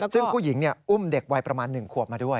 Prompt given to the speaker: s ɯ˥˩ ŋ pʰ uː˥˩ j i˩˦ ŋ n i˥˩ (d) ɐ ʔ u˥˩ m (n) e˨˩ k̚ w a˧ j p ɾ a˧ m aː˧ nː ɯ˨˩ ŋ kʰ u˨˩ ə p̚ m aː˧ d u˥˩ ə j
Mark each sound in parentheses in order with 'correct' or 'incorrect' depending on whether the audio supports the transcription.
incorrect, incorrect

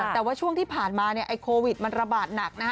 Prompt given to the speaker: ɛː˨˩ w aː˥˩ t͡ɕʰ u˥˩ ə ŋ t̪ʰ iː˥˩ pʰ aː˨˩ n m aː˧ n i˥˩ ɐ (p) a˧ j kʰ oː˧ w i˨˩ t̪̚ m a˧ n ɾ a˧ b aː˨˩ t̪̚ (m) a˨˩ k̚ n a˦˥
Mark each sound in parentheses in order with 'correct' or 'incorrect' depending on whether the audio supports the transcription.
incorrect, incorrect

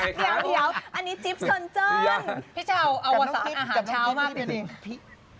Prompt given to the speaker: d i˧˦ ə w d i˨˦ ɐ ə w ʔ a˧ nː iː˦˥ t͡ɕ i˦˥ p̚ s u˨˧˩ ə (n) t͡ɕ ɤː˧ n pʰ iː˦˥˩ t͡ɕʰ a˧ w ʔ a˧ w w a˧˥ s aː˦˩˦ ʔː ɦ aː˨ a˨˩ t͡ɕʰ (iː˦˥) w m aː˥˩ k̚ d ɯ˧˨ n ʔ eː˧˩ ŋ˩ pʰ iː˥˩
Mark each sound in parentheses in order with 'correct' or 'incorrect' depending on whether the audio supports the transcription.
correct, incorrect

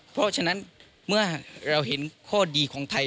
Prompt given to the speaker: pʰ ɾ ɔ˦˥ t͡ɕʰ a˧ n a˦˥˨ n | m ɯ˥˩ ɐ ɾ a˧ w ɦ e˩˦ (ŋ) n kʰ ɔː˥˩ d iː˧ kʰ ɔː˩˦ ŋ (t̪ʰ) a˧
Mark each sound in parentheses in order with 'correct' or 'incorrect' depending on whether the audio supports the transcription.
incorrect, correct

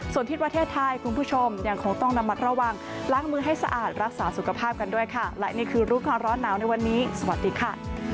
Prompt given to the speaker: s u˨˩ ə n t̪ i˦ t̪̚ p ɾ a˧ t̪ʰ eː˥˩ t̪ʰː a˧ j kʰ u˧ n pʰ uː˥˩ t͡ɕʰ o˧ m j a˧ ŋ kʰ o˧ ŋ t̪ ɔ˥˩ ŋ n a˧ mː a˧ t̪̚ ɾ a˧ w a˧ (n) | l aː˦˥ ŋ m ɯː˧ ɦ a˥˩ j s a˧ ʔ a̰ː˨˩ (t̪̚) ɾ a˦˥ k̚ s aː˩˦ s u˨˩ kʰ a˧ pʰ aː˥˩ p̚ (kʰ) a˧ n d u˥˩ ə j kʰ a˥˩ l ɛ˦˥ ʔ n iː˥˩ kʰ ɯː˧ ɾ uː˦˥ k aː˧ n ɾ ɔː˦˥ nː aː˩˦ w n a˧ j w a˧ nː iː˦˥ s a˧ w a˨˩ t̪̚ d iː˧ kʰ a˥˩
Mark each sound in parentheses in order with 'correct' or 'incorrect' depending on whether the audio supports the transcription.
incorrect, correct, incorrect

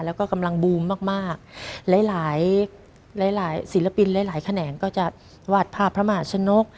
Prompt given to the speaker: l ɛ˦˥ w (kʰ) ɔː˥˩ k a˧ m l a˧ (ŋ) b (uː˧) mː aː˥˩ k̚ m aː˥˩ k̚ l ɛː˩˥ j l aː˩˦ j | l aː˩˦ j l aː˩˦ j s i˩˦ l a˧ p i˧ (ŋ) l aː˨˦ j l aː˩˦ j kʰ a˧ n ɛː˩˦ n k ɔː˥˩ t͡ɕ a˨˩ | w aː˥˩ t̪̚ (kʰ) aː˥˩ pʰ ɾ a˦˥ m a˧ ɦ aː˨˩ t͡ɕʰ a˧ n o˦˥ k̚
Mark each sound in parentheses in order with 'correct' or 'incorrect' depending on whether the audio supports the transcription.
incorrect, correct, correct, incorrect, incorrect

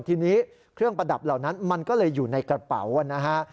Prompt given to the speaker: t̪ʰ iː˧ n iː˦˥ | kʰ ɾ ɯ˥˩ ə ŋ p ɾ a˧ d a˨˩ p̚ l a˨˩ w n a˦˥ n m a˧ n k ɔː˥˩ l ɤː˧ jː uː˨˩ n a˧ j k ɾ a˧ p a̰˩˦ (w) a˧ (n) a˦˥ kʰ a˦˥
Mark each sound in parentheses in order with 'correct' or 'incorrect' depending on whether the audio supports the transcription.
correct, correct

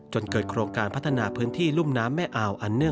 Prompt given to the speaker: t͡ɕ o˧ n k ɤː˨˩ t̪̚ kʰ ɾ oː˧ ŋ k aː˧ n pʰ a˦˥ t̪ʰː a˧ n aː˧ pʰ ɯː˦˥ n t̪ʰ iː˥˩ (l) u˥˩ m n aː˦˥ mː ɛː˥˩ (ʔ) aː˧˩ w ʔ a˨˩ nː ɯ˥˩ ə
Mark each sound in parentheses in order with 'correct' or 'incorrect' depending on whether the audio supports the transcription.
correct, correct

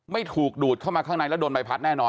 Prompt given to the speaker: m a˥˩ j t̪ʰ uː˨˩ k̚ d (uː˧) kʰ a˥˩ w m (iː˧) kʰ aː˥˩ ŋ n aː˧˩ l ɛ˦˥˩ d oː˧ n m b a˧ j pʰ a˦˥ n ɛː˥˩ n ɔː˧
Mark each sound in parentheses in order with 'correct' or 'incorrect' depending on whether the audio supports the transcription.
incorrect, incorrect

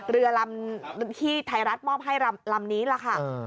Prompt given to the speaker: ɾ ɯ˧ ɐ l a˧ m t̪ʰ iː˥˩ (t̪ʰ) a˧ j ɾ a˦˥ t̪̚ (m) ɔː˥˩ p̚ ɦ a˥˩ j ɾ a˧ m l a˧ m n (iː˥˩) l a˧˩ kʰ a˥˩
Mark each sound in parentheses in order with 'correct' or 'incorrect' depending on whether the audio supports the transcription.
correct, correct, incorrect

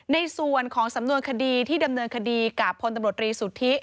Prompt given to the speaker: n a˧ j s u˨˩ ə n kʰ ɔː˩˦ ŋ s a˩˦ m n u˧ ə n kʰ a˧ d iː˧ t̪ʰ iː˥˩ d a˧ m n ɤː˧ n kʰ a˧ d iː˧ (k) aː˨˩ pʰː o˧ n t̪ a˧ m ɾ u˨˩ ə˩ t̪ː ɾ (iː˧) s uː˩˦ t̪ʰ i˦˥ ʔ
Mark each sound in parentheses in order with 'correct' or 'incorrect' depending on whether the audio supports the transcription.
correct, correct

